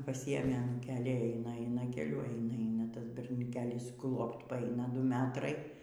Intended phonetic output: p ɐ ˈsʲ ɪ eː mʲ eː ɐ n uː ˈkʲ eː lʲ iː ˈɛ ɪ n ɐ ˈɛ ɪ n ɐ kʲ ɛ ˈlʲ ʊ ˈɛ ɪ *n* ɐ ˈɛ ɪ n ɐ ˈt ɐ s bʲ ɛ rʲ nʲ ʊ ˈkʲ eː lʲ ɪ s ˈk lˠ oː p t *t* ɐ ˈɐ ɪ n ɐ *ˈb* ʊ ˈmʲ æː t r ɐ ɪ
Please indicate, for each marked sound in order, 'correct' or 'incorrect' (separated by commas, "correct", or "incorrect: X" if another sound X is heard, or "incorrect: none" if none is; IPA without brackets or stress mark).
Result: correct, incorrect: p, incorrect: d